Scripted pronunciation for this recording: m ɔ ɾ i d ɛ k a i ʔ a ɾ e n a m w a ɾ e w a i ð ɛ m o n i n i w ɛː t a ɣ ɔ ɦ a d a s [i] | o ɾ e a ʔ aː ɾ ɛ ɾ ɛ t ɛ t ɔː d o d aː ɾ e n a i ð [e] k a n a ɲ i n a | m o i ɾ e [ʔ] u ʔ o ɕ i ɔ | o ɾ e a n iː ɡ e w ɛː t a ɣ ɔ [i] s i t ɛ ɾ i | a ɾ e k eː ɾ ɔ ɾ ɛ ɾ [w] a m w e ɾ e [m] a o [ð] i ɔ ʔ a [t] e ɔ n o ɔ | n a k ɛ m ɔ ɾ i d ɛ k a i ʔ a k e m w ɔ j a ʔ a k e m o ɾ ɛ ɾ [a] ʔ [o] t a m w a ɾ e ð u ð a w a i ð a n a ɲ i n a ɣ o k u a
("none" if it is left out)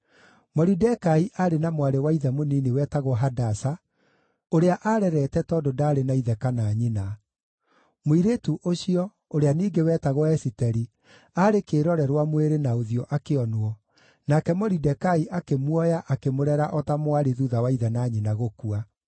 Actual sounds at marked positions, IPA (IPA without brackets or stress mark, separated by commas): a, ɛ, t, ɛ, w, n, ð, k, a, ɔ